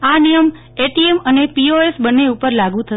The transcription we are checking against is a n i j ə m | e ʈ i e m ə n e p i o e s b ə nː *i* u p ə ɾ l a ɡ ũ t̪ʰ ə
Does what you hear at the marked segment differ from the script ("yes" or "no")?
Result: yes